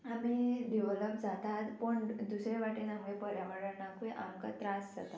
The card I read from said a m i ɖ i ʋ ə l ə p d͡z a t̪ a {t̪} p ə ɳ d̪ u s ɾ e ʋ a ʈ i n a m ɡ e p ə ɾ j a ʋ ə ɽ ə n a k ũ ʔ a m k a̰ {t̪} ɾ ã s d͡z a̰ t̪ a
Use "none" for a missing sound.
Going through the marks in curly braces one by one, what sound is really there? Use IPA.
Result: t̪, t̪

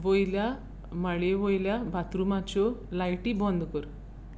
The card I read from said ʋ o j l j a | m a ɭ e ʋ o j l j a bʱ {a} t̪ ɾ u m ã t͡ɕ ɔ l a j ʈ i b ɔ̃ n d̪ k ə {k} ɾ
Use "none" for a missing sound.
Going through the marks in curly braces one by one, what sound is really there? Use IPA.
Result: a, none

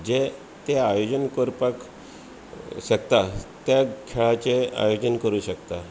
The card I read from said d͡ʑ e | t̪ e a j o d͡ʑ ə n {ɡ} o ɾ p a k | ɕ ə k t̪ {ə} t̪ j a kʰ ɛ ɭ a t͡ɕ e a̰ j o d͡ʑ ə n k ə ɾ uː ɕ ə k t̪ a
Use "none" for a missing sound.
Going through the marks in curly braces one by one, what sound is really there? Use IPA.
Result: k, a

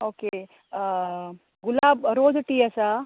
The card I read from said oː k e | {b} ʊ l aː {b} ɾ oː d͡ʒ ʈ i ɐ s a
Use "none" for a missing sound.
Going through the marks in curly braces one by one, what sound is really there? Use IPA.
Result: ɡ, b

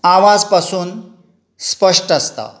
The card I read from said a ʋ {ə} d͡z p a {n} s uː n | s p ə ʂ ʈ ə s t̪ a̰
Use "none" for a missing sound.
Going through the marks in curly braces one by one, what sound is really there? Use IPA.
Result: a, none

